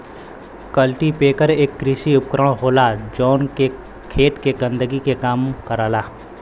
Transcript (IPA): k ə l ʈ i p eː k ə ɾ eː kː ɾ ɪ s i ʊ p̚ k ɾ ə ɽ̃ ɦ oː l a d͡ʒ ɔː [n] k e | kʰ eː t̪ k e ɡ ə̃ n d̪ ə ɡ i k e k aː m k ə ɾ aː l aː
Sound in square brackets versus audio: correct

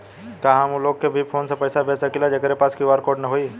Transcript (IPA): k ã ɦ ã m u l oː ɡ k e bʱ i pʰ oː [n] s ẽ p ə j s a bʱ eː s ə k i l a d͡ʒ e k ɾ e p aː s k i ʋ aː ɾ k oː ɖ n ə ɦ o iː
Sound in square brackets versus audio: correct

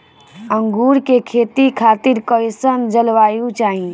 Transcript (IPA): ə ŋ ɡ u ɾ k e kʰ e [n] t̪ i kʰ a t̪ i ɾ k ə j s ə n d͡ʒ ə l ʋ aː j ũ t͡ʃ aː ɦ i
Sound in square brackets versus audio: incorrect: none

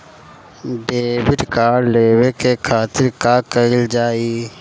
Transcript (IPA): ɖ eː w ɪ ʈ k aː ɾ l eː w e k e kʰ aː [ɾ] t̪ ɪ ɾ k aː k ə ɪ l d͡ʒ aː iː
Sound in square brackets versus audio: incorrect: none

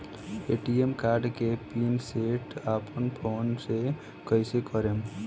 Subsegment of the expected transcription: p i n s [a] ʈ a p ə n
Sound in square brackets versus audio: incorrect: e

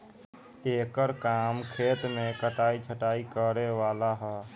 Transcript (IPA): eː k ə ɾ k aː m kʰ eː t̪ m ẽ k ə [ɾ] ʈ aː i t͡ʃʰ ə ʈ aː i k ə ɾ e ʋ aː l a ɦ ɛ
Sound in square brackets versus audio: incorrect: none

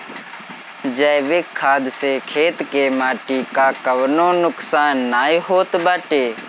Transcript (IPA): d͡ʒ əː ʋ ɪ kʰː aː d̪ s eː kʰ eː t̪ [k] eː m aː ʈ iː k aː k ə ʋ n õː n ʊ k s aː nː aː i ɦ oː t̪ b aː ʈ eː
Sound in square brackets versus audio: correct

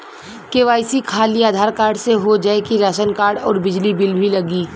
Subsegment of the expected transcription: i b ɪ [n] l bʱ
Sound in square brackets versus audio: incorrect: none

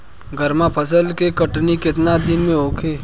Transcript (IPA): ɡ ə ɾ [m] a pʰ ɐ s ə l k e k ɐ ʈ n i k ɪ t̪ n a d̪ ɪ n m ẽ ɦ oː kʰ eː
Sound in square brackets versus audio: correct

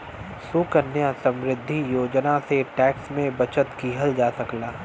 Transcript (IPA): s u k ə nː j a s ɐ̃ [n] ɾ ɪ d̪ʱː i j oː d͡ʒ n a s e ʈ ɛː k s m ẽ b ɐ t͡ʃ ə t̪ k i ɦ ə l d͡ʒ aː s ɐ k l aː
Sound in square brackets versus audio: incorrect: m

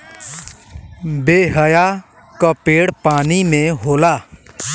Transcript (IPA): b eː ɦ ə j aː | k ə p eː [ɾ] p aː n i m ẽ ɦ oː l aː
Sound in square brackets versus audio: incorrect: ɽ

